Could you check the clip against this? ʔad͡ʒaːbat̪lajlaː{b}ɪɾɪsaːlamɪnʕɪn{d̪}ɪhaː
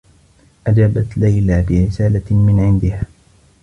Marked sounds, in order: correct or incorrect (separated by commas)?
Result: correct, correct